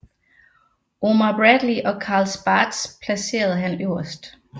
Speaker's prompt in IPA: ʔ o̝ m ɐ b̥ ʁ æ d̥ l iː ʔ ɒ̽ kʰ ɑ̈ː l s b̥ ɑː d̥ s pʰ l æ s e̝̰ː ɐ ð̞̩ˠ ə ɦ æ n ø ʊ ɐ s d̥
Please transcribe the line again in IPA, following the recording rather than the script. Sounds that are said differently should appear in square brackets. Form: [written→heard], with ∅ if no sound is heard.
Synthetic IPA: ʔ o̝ m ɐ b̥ ʁ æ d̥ l [iː→i] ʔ ɒ̽ kʰ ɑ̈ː l s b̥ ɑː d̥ s pʰ l æ s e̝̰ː ɐ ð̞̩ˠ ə ɦ æ n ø ʊ ɐ s d̥